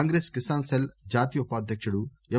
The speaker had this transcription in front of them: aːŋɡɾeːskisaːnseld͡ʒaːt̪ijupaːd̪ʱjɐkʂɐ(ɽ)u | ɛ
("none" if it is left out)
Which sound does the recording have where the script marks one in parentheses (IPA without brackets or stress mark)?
ɽ